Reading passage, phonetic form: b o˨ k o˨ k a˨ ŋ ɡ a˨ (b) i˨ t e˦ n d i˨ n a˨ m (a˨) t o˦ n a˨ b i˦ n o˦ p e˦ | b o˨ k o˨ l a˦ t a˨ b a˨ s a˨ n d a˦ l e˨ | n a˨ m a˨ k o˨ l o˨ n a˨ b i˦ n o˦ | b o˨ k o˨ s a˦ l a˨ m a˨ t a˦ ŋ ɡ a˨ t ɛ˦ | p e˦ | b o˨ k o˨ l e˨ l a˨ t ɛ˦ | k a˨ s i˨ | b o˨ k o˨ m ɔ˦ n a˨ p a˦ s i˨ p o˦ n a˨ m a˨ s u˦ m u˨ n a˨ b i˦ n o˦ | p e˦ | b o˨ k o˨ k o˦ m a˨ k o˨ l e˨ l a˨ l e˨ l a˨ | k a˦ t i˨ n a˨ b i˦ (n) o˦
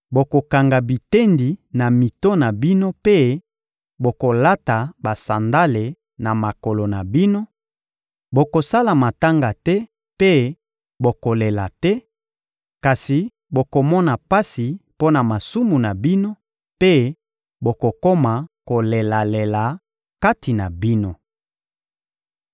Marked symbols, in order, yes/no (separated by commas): yes, no, yes